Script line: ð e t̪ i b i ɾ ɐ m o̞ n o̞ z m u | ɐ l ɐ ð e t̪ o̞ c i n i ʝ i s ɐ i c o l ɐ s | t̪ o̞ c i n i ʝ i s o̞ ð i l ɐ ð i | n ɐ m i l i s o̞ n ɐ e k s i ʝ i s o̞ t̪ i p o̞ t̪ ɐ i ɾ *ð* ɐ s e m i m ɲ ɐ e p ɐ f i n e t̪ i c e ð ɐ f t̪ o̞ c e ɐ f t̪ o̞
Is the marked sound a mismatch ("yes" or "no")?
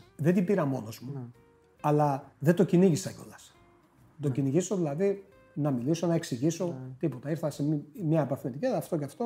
yes